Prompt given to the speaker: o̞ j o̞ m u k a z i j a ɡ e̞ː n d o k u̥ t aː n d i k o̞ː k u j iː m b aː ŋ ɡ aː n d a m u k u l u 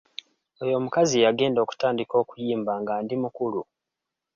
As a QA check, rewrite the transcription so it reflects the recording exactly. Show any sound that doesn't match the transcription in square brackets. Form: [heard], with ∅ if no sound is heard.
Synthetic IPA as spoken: o̞ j o̞ m u k a z i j a ɡ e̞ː n d o k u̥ t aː n d i k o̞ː k u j iː m b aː ŋ ɡ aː n d [i] m u k u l u